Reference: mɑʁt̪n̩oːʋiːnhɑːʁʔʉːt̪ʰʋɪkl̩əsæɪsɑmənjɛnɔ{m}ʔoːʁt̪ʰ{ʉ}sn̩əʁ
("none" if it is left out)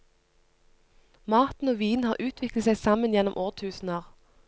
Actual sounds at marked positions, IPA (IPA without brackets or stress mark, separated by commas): m, ʉː